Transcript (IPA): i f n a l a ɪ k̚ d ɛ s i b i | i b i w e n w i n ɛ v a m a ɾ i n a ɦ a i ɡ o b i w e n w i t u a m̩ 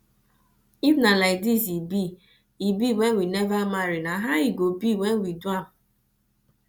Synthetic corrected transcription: i f n a l a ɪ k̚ d i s i b i | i b i w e n w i n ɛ v a m a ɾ i n a ɦ a i ɡ o b i w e n w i d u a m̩